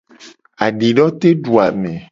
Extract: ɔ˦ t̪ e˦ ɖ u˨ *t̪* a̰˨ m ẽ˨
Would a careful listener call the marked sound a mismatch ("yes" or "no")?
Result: yes